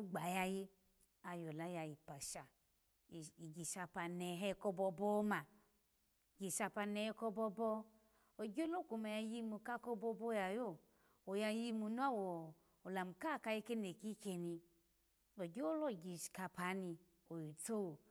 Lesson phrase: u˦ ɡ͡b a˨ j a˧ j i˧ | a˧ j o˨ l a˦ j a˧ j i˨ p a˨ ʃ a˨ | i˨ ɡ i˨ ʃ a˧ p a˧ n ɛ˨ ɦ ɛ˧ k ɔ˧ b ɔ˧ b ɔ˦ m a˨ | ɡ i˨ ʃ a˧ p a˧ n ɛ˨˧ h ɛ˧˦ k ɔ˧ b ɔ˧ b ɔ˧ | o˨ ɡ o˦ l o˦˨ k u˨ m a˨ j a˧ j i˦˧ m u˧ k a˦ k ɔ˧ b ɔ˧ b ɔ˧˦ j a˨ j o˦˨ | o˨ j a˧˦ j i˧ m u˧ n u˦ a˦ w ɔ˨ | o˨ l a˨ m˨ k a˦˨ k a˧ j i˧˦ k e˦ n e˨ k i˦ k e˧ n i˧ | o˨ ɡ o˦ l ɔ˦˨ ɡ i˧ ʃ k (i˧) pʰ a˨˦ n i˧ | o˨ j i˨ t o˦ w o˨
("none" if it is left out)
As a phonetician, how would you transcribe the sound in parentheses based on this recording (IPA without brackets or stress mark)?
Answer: a˧